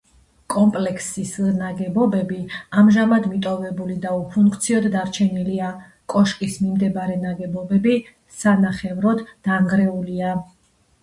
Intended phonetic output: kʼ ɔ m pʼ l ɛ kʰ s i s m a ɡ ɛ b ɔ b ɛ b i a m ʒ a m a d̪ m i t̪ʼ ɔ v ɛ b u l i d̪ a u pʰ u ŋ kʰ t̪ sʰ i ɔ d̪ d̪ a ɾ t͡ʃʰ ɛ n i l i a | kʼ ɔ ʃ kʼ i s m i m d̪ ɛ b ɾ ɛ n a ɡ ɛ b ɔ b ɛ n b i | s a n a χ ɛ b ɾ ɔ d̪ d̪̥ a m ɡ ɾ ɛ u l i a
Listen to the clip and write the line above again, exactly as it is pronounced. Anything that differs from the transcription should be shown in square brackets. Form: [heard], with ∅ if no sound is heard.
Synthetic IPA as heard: kʼ ɔ m pʼ l ɛ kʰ s i s [n] a ɡ ɛ b ɔ b ɛ b i a m ʒ a m a d̪ m i t̪ʼ ɔ v ɛ b u l i d̪ a u pʰ u ŋ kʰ t̪ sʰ i ɔ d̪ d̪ a ɾ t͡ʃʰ ɛ n i l i a | kʼ ɔ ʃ kʼ i s m i m d̪ ɛ b ɾ ɛ n a ɡ ɛ b ɔ b ɛ [∅] b i | s a n a χ ɛ [v] ɾ ɔ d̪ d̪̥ a [ŋ] ɡ ɾ ɛ u l i a